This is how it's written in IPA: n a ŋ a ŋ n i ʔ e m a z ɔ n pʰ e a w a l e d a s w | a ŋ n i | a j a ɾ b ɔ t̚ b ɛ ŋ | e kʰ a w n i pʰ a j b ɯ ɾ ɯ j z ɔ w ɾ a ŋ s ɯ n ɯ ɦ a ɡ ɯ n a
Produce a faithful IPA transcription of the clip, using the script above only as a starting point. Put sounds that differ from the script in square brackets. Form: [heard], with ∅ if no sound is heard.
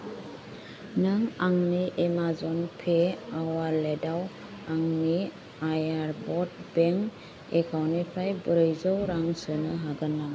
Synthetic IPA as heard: n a ŋ a ŋ n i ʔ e m a z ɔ n pʰ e a w a l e d a [∅] w | a ŋ n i | a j a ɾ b ɔ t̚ b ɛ ŋ | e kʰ a w n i pʰ a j b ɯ ɾ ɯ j z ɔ w ɾ a ŋ s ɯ n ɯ ɦ a ɡ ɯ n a